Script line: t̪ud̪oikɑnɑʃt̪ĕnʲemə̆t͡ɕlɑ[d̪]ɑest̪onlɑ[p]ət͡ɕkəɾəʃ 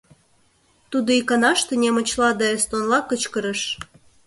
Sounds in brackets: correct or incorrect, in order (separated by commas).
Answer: correct, incorrect